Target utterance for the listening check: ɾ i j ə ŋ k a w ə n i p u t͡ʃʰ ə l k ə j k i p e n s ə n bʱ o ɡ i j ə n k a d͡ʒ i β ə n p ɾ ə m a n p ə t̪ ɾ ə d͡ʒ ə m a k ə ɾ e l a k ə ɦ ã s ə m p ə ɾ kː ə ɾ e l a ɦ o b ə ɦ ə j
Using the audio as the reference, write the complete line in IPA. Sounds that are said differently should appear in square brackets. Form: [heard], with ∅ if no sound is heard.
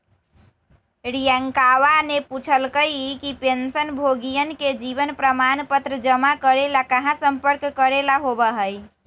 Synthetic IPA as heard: ɾ i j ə ŋ k a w [a] n [e] p u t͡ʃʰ ə l k ə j k i p e n s ə n bʱ o ɡ i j ə n k [e] d͡ʒ i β ə n p ɾ ə m a n p ə t̪ ɾ ə d͡ʒ ə m a k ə ɾ e l a k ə ɦ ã s ə m p ə ɾ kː ə ɾ e l a ɦ o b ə ɦ ə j